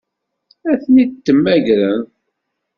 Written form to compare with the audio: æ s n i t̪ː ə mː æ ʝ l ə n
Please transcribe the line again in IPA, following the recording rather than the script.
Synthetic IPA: æ θ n i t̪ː ə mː æ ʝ ɾ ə n